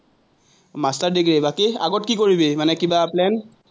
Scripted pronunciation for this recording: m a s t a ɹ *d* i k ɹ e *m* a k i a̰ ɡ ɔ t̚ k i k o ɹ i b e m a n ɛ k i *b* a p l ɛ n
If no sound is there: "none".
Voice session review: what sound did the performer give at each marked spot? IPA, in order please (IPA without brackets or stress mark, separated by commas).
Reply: d, b, b